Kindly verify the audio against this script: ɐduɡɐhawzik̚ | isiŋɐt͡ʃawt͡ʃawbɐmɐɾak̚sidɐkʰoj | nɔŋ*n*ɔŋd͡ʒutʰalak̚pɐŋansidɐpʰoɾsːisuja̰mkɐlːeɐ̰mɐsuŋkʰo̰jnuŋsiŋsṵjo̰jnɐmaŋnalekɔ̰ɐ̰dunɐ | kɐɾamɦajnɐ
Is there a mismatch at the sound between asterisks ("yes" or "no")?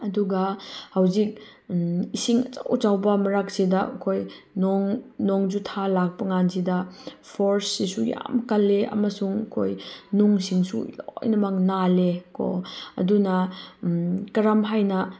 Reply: no